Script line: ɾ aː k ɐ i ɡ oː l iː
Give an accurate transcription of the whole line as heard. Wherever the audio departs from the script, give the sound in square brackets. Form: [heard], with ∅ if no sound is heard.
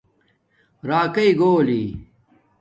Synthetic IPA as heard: ɾ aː k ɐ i ɡ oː l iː